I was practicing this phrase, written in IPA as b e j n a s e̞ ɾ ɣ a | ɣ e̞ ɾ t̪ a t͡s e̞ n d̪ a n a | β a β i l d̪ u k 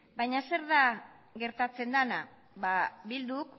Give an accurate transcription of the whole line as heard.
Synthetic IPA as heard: b a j ɲ a s e̞ ɾ ð a | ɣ e̞ ɾ t̪ a t͡s e̞ n d̪ a n a | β a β i l d̪ u k